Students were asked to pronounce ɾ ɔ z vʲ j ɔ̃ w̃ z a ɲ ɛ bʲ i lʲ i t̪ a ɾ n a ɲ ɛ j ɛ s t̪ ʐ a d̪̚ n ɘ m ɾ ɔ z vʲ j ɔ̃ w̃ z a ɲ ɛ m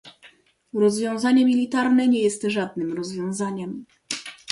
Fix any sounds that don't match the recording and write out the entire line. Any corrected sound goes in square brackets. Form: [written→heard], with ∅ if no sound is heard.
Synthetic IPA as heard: ɾ ɔ z vʲ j ɔ̃ w̃ z a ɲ ɛ [bʲ→mʲ] i lʲ i t̪ a ɾ n [a→ɛ] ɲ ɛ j ɛ s t̪ ʐ a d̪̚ n ɘ m ɾ ɔ z vʲ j ɔ̃ w̃ z a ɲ ɛ m